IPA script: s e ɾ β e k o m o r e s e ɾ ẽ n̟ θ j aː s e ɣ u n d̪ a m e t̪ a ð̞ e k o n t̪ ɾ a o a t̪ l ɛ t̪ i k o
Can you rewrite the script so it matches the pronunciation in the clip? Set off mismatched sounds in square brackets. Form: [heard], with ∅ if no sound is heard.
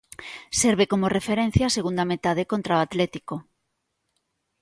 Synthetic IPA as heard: s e ɾ β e k o m o r e [f] e ɾ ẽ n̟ θ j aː s e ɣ u n d̪ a m e t̪ a ð̞ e k o n t̪ ɾ a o a t̪ l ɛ t̪ i k o